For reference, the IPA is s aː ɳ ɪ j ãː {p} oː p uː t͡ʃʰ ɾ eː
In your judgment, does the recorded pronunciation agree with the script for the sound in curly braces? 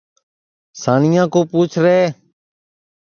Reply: no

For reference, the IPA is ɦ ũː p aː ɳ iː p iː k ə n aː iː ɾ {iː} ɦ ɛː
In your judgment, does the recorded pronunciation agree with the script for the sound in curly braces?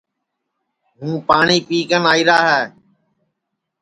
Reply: no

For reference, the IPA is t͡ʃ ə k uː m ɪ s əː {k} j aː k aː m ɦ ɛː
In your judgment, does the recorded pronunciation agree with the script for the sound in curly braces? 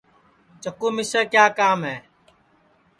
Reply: yes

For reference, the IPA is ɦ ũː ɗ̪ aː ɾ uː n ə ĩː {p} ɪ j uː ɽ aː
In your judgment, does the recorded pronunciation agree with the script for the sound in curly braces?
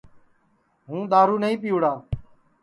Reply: yes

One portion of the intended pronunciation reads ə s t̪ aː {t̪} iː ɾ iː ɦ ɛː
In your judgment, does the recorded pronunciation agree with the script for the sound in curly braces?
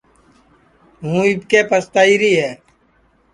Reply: no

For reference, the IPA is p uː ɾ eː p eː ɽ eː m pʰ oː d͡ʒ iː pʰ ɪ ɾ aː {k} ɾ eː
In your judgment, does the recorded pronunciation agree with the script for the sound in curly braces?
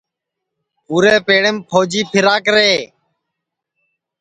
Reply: yes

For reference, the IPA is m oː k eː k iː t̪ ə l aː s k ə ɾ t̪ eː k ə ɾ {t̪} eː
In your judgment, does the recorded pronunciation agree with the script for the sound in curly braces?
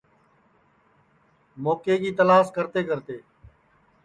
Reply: yes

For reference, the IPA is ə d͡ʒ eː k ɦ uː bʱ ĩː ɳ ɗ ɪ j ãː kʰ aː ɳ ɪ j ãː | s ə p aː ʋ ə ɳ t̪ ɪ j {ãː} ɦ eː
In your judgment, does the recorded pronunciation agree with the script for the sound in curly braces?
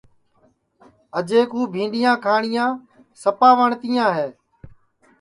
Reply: yes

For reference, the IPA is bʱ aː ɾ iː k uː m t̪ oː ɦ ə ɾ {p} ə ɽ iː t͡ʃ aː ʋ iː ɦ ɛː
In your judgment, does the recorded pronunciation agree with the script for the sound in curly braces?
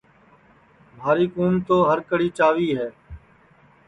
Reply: no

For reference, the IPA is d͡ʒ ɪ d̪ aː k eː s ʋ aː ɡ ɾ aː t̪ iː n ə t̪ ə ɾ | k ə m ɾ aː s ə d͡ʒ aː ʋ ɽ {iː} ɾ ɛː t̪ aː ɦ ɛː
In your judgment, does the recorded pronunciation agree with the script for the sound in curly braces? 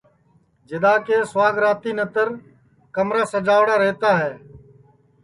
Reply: no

